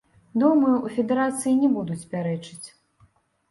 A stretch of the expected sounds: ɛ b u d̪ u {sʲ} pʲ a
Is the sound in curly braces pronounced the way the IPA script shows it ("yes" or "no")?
no